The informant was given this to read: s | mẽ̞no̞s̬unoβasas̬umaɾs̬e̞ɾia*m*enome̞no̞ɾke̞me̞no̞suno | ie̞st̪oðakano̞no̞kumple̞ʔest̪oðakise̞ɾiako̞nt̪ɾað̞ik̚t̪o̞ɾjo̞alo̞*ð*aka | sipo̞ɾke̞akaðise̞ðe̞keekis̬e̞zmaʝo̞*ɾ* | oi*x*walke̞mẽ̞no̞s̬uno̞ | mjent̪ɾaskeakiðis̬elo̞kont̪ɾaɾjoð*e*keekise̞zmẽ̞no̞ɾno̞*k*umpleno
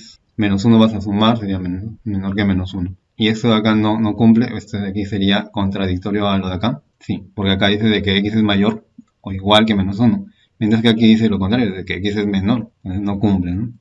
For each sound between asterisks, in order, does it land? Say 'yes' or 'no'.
yes, yes, yes, no, yes, yes

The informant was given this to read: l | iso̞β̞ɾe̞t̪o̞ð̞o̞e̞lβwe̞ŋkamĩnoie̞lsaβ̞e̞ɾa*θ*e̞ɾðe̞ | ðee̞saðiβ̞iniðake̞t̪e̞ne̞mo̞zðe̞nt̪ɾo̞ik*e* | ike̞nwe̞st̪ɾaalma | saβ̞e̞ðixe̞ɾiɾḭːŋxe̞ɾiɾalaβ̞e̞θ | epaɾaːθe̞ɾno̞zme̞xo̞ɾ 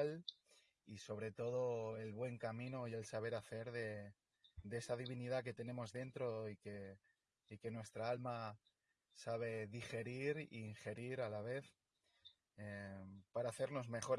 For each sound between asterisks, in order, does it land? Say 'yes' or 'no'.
yes, yes

